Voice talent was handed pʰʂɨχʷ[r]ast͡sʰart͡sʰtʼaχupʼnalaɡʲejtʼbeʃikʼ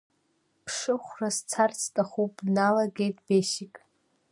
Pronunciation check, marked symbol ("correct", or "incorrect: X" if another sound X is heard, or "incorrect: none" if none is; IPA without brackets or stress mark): correct